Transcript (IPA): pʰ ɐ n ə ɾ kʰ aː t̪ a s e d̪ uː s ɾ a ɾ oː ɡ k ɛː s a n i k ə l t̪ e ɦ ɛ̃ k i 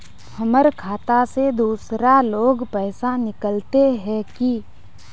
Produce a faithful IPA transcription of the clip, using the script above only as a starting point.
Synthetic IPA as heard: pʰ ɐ m ə ɾ kʰ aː t̪ a s e d̪ uː s ɾ a l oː ɡ p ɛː s a n ɪ k ə l t̪ e ɦ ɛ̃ k i

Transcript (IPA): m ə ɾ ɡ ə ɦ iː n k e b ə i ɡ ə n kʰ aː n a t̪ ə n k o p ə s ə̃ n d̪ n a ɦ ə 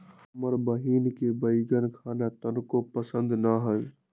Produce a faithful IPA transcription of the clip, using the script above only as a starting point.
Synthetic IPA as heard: m ə ɾ b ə ɦ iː n k e b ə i ɡ ə n kʰ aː n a t̪ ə n k o p ə s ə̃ n d̪ n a ɦ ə

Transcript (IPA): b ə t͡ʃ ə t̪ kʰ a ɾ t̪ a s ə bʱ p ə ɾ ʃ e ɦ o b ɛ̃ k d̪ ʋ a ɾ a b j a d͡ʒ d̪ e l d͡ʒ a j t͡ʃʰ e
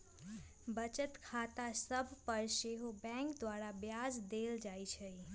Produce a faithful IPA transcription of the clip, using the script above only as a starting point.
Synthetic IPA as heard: b ə t͡ʃ ə t̪ kʰ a t̪ a s ə bʱ p ə ɾ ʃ e ɦ o b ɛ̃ k d̪ ʋ a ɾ a b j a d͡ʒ d̪ e l d͡ʒ a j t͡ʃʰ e

